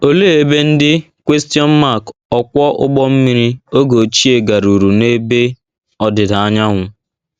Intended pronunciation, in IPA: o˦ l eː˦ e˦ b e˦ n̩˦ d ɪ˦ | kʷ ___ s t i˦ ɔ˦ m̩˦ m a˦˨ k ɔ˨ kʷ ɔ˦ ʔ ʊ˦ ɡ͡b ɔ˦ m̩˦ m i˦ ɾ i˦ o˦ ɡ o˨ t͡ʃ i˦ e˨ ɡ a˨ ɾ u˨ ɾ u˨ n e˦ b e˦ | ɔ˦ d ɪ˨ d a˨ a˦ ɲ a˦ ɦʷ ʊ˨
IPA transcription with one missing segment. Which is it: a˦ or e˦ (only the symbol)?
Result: e˦